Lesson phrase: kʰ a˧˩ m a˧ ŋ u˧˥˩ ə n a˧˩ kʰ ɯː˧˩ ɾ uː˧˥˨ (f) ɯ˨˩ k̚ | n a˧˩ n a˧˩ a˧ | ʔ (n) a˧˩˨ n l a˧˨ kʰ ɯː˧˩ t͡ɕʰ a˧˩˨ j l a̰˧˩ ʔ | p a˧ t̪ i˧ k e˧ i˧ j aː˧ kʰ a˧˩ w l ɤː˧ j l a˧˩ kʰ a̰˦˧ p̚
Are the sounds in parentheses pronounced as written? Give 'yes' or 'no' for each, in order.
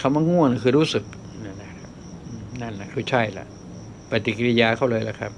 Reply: no, yes

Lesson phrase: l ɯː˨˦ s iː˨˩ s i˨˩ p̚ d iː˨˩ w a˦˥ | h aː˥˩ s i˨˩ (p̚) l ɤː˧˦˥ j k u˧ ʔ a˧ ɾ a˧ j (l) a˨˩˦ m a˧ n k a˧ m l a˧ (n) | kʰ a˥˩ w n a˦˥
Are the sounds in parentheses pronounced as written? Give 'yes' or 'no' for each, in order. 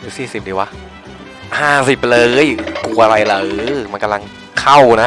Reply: yes, yes, no

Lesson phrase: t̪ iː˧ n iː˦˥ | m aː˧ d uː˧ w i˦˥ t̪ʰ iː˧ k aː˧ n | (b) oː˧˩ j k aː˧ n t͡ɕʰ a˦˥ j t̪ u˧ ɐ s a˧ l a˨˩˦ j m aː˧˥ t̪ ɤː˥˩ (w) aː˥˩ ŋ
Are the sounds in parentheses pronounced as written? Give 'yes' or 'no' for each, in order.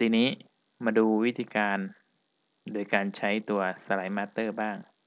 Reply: no, no

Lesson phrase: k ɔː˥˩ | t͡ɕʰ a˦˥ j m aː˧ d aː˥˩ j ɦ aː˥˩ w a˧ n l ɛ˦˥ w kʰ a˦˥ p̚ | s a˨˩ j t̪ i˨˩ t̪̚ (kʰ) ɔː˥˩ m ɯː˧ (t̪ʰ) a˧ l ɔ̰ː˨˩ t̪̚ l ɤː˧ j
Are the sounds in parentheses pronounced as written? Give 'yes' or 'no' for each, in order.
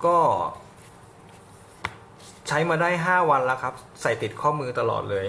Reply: yes, no

